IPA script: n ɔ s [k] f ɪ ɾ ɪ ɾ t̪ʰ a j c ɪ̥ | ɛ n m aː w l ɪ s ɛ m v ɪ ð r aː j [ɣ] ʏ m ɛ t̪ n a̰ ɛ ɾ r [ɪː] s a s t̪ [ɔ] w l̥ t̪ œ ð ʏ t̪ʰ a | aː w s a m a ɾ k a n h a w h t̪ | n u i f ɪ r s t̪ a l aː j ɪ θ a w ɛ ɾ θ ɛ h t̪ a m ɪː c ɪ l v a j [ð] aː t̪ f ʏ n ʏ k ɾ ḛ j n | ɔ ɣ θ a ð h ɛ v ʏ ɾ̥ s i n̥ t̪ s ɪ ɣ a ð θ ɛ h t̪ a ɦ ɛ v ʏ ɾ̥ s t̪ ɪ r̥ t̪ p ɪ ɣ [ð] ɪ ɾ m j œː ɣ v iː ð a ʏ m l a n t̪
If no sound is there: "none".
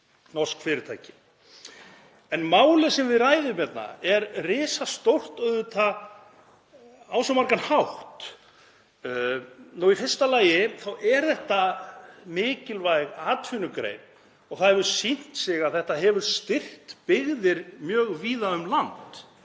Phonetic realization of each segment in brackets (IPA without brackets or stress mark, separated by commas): k, ð, ɪː, o, ɣ, ð